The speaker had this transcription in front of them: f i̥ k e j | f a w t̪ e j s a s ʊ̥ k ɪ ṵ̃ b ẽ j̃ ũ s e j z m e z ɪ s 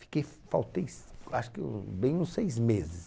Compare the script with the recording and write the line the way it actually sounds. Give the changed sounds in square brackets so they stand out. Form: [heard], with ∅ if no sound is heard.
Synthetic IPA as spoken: f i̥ k e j | f a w t̪ e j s a [ʃ] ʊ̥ k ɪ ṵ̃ b ẽ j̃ ũ s e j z m e z ɪ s